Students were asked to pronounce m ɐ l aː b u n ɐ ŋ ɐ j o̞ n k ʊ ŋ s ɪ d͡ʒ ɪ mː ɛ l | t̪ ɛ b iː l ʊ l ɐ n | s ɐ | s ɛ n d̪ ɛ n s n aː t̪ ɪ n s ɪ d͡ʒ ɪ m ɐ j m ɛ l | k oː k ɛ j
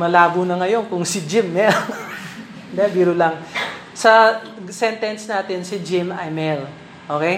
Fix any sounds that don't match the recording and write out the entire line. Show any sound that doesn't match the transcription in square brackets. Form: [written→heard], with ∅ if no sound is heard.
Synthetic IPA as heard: m ɐ l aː b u n ɐ ŋ ɐ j o̞ n k ʊ ŋ s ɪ d͡ʒ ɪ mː ɛ l | [t̪→d̪] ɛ b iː [l→ɾ] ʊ l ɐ [n→ŋ] | s ɐ | s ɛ n [d̪→t̪] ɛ n s n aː t̪ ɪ n s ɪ d͡ʒ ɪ m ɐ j m ɛ l | [k→ʔ] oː k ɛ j